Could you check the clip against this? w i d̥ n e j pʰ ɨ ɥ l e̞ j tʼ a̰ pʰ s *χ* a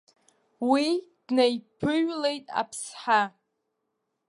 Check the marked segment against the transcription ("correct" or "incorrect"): incorrect